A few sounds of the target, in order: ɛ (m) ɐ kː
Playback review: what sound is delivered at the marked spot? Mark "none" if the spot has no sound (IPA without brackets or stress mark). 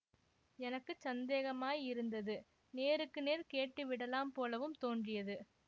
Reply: n